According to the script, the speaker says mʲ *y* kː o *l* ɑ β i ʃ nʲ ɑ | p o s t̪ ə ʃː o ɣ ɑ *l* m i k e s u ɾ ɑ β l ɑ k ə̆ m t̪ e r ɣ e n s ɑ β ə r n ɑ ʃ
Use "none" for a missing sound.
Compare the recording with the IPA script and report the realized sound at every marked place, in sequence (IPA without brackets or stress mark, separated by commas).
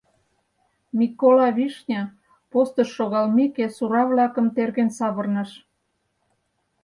i, l, l